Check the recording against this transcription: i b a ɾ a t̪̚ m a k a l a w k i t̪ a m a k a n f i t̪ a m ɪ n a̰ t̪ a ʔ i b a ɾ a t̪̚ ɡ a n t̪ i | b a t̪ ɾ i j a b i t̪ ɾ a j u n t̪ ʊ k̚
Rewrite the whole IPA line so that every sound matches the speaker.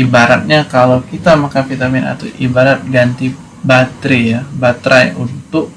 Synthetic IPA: i b a ɾ a t̪̚ ɲ a k a l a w k i t̪ a m a k a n f i t̪ a m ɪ n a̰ t̪ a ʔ i b a ɾ a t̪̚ ɡ a n t̪ i | b a t̪ ɾ i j a b a t̪ ɾ a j u n t̪ ʊ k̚